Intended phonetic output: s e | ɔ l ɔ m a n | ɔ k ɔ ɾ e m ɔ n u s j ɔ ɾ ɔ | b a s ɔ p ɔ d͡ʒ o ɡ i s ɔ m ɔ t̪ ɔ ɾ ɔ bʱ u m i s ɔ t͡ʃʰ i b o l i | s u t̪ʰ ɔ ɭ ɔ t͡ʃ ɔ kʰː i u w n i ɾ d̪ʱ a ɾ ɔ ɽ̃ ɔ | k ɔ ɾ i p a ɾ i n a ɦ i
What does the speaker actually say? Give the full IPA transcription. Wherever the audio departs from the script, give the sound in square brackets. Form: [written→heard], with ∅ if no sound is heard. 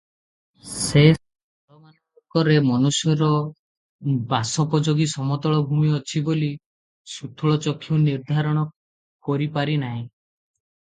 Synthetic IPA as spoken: s e | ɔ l ɔ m a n | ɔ k ɔ ɾ e m ɔ n u s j ɔ ɾ ɔ | b a s ɔ p ɔ d͡ʒ o ɡ i s ɔ m ɔ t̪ ɔ [ɾ→ɭ] ɔ bʱ u m i [s→∅] ɔ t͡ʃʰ i b o l i | s u t̪ʰ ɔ ɭ ɔ t͡ʃ ɔ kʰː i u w n i ɾ d̪ʱ a ɾ ɔ ɽ̃ ɔ | k ɔ ɾ i p a ɾ i n a ɦ [i→ĩ]

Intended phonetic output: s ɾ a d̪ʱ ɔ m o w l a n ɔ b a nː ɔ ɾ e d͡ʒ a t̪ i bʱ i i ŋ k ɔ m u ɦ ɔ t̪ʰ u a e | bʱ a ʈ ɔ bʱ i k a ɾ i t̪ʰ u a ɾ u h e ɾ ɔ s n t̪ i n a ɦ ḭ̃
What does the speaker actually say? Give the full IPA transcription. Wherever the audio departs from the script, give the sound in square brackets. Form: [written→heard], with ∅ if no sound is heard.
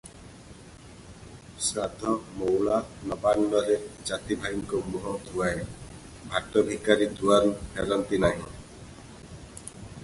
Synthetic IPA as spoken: s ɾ a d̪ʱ ɔ m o w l a n ɔ b a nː ɔ ɾ e d͡ʒ a t̪ i bʱ [i→a] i ŋ k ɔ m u ɦ ɔ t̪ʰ u a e | bʱ a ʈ ɔ bʱ i k a ɾ i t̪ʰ u a ɾ u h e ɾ ɔ [s→∅] n t̪ i n a ɦ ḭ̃

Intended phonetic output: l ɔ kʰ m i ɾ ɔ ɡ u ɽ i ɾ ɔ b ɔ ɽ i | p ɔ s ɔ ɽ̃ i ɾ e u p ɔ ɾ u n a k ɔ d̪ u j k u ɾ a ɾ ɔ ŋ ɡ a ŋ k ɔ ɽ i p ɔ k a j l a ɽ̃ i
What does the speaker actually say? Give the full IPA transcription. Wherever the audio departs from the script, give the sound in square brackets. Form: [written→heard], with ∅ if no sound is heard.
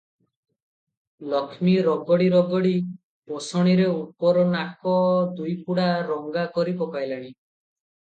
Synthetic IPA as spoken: l ɔ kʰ m i ɾ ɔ ɡ [u→ɔ] ɽ i ɾ ɔ [b→ɡ] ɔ ɽ i | p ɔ s ɔ ɽ̃ i ɾ e u p ɔ ɾ [u→ɔ] n a k ɔ d̪ u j [k→p] u [ɾ→ɽ] a ɾ ɔ ŋ ɡ a [ŋ→∅] k ɔ [ɽ→ɾ] i p ɔ k a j l a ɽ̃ i

